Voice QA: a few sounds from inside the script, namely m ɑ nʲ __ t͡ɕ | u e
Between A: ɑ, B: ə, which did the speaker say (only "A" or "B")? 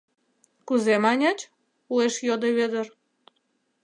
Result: A